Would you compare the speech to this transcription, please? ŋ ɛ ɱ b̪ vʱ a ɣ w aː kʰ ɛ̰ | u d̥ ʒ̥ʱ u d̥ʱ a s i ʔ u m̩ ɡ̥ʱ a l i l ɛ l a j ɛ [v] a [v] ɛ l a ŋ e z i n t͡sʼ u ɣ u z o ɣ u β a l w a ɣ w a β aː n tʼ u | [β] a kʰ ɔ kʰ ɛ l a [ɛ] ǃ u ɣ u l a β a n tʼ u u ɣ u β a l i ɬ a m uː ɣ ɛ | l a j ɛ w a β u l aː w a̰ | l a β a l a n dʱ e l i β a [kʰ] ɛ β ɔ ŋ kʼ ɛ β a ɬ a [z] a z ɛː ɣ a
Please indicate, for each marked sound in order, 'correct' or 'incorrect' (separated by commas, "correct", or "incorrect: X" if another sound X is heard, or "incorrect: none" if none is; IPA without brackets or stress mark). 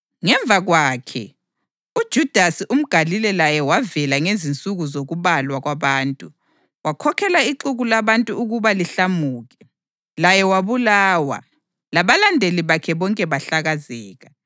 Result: incorrect: w, correct, incorrect: w, incorrect: i, correct, incorrect: ɣ